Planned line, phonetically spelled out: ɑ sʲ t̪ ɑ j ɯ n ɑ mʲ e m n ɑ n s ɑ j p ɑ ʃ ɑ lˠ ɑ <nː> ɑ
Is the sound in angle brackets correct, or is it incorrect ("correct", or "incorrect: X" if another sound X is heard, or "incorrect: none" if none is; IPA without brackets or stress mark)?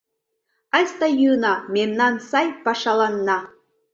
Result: correct